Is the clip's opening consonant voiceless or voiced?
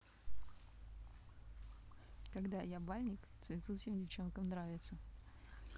voiceless